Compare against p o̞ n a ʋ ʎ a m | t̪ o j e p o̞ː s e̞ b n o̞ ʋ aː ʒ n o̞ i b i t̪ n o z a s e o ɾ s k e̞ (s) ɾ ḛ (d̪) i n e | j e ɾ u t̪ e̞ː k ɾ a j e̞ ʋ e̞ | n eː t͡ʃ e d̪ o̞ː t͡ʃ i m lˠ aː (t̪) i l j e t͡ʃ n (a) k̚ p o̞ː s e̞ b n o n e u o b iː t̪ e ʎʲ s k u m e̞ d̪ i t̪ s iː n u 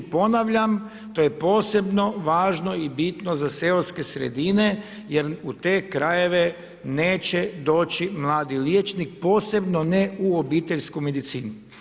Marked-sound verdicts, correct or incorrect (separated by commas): correct, correct, incorrect, incorrect